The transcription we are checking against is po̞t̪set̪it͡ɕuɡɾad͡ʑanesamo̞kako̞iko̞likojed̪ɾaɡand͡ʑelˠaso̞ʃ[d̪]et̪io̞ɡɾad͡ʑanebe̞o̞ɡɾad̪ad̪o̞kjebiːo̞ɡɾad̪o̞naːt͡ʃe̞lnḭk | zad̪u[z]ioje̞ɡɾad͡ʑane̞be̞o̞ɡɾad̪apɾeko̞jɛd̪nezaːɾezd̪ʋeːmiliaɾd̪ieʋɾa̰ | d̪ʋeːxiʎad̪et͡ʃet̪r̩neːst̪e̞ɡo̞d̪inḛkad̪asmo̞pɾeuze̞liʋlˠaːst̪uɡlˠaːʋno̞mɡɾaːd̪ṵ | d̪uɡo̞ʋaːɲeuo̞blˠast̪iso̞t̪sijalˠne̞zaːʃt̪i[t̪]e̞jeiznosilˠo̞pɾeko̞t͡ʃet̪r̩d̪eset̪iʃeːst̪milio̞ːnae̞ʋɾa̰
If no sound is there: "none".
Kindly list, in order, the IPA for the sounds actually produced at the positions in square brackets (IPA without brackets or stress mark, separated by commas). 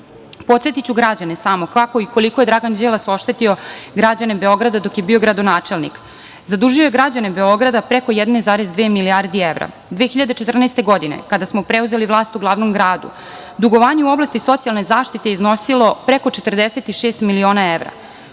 t̪, ʒ, t̪